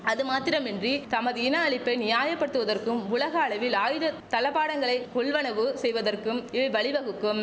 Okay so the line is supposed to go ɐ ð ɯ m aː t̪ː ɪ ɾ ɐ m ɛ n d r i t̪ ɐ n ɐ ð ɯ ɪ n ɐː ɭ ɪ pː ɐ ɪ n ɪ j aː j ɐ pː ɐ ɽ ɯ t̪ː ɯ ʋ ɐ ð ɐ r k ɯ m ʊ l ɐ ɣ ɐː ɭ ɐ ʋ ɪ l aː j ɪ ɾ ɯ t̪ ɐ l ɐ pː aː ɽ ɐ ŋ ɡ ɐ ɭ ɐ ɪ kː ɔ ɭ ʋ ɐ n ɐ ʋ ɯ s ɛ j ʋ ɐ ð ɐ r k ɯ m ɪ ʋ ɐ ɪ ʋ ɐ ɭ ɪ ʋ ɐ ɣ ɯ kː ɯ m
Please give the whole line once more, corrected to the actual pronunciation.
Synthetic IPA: ɐ ð ɯ m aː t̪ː ɪ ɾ ɐ m ɛ n d r i t̪ ɐ m ɐ ð ɯ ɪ n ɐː ɭ ɪ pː ɐ ɪ n ɪ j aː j ɐ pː ɐ ɽ ɯ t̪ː ɯ ʋ ɐ ð ɐ r k ɯ m ʊ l ɐ ɣ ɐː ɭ ɐ ʋ ɪ l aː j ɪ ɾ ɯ t̪ ɐ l ɐ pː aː ɽ ɐ ŋ ɡ ɐ ɭ ɐ ɪ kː ɔ ɭ ʋ ɐ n ɐ ʋ ɯ s ɛ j ʋ ɐ ð ɐ r k ɯ m ɪ ʋ ɐ ɪ ʋ ɐ ɭ ɪ ʋ ɐ ɣ ɯ kː ɯ m